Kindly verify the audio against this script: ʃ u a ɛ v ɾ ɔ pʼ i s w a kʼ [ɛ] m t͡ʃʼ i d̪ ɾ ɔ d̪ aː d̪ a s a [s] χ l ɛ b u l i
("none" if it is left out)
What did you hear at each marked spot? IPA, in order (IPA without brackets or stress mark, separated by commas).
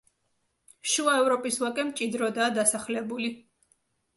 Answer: ɛ, none